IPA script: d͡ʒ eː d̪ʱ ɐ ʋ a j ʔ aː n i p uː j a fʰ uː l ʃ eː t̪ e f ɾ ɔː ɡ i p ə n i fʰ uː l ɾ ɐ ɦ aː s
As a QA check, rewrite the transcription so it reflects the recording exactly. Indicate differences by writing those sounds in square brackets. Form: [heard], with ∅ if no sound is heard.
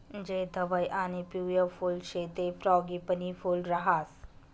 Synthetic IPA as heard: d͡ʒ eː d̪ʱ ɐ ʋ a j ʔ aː n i p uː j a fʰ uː l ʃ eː t̪ e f ɾ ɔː ɡ i p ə n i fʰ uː l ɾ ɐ ɦ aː s